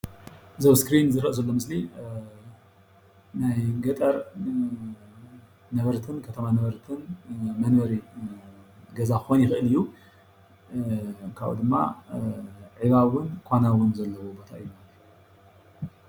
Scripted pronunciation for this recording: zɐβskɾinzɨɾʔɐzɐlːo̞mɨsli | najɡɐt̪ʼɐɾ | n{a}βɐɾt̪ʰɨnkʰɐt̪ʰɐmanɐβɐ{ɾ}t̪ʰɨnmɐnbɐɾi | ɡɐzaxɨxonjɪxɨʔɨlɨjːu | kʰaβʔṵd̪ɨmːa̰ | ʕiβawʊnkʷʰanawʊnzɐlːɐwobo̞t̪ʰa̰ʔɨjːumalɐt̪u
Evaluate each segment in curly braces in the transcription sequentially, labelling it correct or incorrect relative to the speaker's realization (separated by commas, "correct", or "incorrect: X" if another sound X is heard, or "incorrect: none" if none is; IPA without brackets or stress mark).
incorrect: ɐ, correct